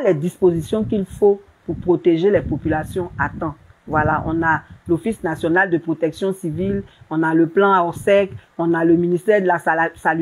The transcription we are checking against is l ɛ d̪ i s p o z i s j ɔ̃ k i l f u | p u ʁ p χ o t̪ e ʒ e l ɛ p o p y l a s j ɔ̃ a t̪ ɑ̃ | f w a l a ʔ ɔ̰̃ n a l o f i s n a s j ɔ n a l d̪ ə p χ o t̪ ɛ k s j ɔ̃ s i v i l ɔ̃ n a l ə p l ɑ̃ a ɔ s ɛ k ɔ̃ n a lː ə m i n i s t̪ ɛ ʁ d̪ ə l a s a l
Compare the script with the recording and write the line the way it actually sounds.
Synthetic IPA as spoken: l ɛ d̪ i s p o z i s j ɔ̃ k i l f o | p u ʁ p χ o t̪ e ʒ e l ɛ p o p y l a s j ɔ̃ a t̪ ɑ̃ | v w a l a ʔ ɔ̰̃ n a l o f i s n a s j ɔ n a l d̪ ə p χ o t̪ ɛ k s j ɔ̃ s i v i l ɔ̃ n a l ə p l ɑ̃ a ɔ s ɛ k ɔ̃ n a l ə m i n i s t̪ ɛ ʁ d̪ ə l a s a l